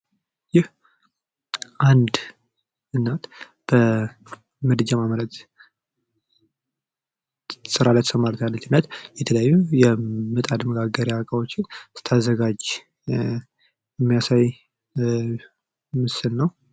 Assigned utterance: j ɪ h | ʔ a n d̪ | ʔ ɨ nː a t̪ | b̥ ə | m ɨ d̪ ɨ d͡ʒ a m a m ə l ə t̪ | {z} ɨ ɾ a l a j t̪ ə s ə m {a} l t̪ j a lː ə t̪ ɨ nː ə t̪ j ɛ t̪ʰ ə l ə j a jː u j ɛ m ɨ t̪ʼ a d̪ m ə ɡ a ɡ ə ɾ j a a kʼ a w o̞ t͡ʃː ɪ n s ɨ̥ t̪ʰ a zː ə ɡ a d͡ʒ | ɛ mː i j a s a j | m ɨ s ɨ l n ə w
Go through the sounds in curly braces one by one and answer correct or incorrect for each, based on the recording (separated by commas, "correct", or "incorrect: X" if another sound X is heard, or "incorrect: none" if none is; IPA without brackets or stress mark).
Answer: incorrect: s, correct